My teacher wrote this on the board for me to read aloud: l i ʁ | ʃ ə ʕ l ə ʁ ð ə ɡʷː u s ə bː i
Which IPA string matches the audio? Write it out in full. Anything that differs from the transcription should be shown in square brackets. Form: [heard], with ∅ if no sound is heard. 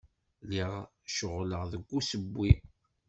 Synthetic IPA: l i ʁ | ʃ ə [ʁ] l ə ʁ ð ə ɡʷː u s ə bː i

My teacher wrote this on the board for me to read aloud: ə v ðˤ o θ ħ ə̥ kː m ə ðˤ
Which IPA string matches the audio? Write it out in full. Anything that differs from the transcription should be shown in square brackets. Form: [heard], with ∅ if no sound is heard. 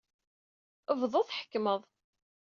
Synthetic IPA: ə v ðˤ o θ ħ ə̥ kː m ə ðˤ

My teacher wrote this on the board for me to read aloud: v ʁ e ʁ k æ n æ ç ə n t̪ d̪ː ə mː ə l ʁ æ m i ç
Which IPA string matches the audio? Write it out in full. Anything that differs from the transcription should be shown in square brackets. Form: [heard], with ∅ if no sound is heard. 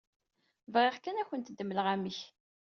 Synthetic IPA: v ʁ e ʁ k æ n æ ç ə n t̪ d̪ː ə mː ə l ʁ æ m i ç

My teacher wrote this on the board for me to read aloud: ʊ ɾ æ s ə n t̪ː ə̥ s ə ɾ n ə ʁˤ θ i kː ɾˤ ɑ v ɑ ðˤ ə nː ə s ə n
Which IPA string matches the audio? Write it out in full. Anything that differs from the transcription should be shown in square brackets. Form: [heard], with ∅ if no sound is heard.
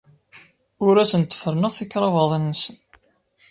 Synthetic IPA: ʊ ɾ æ s ə n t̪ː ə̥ [f] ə ɾ n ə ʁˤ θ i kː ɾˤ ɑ v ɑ ðˤ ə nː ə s ə n

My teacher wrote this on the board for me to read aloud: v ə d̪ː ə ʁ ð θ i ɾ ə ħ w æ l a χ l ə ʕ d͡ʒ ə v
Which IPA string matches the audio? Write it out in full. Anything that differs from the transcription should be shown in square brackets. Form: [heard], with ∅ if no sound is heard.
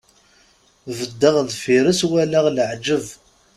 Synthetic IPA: v ə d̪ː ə ʁ ð [f] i ɾ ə [s] w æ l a [ʁ] l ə ʕ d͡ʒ ə v

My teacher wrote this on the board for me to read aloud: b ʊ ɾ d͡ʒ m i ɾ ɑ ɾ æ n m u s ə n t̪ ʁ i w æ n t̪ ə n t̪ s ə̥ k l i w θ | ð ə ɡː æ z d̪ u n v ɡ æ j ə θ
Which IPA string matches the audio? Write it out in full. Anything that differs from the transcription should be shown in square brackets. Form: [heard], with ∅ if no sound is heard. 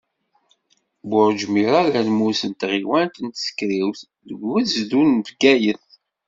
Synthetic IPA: b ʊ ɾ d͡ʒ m i ɾ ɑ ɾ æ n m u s ə n t̪ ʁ i w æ n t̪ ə n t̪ s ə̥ k [ɾ] i w θ | ð ə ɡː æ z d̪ u n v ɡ æ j ə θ

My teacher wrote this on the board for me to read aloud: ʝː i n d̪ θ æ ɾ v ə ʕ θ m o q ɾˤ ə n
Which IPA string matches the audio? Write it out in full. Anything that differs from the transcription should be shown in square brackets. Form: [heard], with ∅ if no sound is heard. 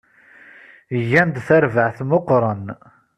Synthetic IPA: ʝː [æ] n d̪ θ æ ɾ v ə ʕ θ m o q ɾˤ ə n

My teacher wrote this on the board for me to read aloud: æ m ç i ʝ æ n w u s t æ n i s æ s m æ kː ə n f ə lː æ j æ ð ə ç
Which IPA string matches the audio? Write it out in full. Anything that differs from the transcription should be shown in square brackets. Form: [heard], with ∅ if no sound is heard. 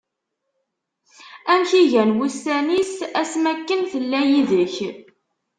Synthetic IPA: æ m ç i ʝ æ n w u s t æ n i s æ s m æ kː ə n [θ] ə lː æ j [i] ð ə ç

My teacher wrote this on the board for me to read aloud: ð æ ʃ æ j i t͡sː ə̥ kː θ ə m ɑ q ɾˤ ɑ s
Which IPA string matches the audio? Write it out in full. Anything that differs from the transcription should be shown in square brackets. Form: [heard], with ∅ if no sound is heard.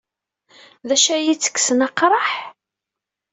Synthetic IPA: ð æ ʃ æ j i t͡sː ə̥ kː [s] ə [n] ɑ q ɾˤ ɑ [ħ]

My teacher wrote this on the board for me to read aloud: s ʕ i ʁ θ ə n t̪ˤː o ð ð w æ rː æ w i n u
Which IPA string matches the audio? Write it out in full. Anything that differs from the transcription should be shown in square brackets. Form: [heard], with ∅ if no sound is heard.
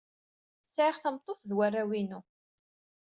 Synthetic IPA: s ʕ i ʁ θ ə [m] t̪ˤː o [θ] ð w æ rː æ w i n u

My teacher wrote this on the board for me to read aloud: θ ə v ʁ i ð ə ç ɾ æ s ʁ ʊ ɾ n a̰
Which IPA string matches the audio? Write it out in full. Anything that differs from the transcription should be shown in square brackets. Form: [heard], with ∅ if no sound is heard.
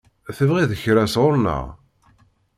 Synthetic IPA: θ ə v ʁ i ð ə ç ɾ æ s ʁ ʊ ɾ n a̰

